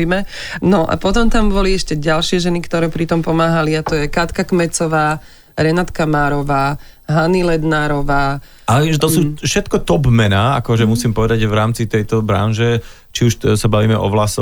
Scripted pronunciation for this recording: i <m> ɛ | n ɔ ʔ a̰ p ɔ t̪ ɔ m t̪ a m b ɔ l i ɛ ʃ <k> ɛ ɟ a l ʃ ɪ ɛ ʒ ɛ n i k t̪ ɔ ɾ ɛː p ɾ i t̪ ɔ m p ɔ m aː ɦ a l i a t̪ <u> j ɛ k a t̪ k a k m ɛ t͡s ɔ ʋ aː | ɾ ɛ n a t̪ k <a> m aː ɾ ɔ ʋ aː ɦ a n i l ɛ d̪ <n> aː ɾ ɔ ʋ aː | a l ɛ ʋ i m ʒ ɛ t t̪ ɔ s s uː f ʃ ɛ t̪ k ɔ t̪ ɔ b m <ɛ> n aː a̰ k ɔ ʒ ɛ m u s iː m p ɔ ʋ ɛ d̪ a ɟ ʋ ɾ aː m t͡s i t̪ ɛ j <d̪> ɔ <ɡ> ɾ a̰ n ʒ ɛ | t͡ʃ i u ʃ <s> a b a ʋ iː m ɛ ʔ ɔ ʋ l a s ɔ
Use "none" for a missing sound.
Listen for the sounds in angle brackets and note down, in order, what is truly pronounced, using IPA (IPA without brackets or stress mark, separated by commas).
m, c, ɔ, a, n, ɛ, t̪, b, s